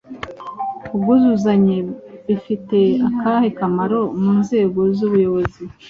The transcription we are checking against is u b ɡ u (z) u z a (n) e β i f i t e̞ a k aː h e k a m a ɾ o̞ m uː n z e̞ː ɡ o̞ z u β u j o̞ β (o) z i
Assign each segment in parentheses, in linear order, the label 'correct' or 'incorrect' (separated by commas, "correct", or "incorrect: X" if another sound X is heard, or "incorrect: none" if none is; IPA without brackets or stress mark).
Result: correct, incorrect: ɲ, correct